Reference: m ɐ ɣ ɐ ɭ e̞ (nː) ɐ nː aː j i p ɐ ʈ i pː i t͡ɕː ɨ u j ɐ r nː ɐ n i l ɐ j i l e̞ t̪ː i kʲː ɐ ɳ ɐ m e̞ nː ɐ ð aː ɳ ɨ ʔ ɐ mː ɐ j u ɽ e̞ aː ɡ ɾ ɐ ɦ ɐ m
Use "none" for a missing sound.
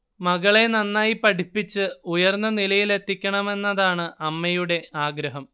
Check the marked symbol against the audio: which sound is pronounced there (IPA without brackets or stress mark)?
n